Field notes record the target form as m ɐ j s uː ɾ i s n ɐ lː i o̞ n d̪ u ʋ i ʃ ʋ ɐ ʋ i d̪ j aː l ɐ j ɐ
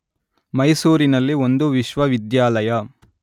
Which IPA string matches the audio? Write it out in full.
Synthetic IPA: m ɐ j s uː ɾ i n ɐ lː i o̞ n d̪ u ʋ i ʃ ʋ ɐ ʋ i d̪ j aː l ɐ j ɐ